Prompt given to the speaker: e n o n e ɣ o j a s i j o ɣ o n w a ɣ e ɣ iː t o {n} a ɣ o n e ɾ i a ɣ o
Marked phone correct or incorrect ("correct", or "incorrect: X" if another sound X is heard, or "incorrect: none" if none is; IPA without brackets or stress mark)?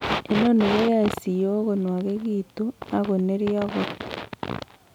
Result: correct